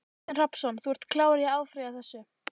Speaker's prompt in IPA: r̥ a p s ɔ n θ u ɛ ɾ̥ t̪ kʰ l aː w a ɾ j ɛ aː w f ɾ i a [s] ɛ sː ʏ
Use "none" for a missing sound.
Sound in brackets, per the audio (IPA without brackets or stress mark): θ